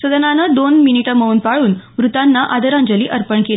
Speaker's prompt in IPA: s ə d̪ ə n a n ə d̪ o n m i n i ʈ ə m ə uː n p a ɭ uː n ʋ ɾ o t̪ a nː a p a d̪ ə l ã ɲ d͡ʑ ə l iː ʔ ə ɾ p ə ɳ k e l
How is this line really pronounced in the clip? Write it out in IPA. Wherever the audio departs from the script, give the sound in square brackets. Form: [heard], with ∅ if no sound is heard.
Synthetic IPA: s ə d̪ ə n a n ə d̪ o n m i n i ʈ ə m ə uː n p a ɭ uː n ʋ ɾ [u] t̪ a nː a [ʔ] a d̪ ə [ɾ] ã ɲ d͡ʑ ə l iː ʔ ə ɾ p ə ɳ k e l